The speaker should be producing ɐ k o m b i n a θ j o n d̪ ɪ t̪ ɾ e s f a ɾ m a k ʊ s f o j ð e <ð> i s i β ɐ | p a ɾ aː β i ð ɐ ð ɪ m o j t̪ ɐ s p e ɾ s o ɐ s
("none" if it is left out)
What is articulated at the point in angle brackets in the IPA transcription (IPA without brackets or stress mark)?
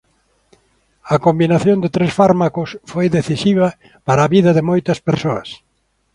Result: θ